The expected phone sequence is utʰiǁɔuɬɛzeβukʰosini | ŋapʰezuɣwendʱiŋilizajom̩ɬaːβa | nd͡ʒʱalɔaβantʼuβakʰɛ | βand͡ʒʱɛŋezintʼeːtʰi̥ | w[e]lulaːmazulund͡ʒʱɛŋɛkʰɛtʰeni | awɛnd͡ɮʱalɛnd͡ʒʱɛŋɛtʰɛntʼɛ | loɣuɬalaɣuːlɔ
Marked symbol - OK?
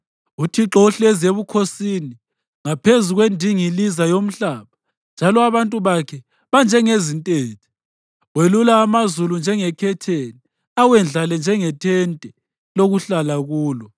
yes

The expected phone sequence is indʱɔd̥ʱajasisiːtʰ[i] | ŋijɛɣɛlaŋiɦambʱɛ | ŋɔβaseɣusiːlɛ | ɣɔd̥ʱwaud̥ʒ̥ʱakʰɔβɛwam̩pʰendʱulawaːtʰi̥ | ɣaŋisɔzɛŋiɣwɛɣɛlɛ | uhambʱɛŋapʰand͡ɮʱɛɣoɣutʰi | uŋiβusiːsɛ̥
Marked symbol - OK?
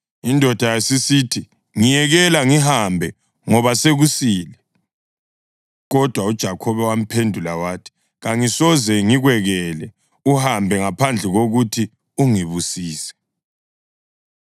yes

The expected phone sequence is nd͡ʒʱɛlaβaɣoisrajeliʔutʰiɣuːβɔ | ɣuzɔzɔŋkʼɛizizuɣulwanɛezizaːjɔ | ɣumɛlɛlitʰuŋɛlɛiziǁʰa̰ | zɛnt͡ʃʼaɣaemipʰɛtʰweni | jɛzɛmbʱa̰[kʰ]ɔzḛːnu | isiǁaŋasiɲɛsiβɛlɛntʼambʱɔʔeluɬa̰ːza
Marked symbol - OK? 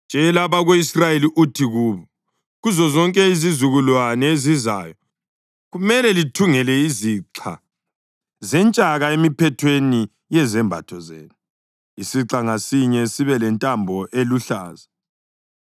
no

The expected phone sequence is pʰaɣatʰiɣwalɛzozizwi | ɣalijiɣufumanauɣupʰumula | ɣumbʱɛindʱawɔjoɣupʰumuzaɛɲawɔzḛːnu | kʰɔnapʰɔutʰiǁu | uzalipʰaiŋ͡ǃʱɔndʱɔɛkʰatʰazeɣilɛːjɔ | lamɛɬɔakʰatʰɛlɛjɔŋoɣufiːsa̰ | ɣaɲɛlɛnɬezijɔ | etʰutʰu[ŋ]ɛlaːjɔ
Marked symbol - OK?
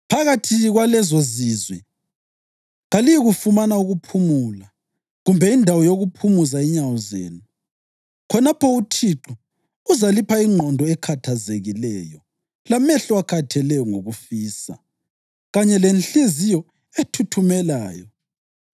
no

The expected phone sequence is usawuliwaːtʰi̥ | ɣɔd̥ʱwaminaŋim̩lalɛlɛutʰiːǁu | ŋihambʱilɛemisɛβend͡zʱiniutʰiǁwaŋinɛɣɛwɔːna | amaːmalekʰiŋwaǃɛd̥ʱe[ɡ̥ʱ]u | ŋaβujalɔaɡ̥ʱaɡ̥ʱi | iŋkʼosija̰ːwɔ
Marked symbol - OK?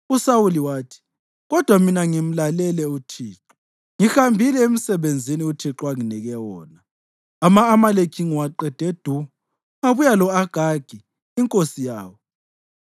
no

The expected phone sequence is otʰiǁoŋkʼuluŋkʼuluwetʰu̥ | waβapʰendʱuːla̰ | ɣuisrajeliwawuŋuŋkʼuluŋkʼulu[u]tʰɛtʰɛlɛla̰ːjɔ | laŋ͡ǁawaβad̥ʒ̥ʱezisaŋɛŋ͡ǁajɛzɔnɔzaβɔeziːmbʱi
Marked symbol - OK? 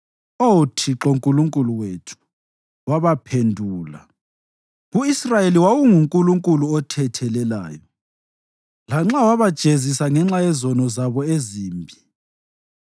no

